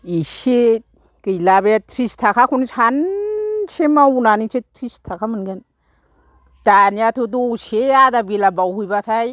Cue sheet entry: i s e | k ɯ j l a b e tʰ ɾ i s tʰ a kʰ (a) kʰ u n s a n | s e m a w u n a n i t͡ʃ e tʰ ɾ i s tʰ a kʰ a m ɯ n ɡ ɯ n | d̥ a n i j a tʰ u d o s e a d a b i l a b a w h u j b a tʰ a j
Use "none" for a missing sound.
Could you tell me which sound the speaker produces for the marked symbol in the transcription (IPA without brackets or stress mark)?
a